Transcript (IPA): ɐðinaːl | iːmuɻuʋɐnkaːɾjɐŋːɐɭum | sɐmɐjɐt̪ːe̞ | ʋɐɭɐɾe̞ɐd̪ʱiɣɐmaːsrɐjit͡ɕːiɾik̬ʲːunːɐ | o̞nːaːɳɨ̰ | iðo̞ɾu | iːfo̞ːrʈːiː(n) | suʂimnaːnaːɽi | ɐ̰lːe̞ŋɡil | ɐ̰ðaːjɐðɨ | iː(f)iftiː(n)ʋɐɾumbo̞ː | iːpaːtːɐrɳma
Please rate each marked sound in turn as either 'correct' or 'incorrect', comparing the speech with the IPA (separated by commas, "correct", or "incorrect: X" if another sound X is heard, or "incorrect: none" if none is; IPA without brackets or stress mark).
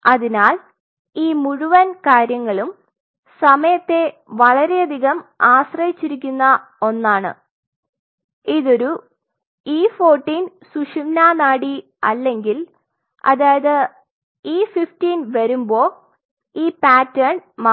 correct, correct, correct